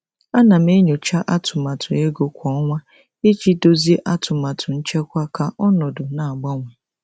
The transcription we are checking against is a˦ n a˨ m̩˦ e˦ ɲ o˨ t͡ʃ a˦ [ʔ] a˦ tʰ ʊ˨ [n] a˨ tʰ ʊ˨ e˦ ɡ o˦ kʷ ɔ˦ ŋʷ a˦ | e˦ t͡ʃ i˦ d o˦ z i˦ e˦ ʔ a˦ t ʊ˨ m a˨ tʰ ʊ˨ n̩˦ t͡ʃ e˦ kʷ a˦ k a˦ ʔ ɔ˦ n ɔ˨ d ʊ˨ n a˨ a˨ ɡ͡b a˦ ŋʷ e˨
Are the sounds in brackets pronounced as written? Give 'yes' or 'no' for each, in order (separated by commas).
yes, no